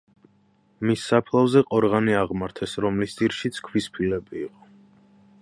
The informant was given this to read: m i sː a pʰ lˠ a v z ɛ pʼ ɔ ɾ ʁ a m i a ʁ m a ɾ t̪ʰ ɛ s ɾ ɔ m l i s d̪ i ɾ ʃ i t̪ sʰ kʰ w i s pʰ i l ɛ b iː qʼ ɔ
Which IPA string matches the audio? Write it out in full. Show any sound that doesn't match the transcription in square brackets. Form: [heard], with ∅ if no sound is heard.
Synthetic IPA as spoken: m i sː a pʰ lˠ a v z ɛ [qʼ] ɔ ɾ ʁ a [n] i a ʁ m a ɾ t̪ʰ ɛ s ɾ ɔ m l i s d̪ i ɾ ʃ i t̪ sʰ kʰ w i s pʰ i l ɛ b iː qʼ ɔ